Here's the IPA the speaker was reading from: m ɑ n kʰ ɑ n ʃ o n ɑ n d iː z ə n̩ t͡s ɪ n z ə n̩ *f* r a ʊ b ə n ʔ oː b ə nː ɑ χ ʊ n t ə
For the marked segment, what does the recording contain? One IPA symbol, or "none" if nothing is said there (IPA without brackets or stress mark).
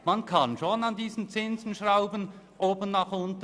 ʃ